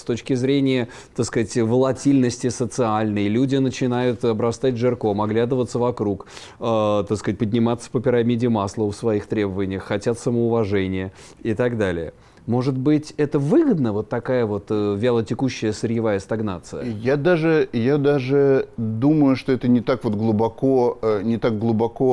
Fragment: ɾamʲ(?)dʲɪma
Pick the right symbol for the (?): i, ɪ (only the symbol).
i